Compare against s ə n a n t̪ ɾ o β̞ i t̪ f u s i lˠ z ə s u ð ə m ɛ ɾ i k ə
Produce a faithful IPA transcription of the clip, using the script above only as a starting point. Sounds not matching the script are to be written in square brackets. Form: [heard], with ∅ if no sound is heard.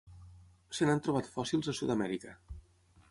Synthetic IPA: s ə n a n t̪ ɾ [u] β̞ [a] t̪ f [ɔ] s i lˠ z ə s u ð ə m ɛ ɾ i k ə